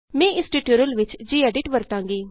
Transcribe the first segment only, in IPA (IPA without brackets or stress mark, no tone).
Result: m